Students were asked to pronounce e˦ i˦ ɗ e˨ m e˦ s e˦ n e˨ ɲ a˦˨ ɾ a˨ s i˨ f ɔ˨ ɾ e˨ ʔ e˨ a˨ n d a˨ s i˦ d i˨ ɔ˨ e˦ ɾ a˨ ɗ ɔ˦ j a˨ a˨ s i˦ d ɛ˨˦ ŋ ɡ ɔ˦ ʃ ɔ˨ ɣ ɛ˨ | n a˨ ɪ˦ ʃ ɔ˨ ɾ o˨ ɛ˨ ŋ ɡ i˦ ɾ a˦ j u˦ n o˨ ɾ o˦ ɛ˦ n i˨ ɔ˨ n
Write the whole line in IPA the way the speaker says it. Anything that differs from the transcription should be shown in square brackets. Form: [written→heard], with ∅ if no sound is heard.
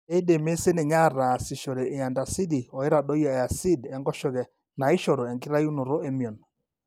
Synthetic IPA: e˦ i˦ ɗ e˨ m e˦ s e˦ n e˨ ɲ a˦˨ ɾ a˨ s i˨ [f→ʃ] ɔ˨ ɾ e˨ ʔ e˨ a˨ n d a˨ s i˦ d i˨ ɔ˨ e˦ ɾ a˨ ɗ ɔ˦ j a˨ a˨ s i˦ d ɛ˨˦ ŋ ɡ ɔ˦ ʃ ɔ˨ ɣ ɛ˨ | n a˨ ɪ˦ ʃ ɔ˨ ɾ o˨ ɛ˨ ŋ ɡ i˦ ɾ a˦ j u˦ n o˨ ɾ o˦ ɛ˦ [n→m] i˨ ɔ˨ n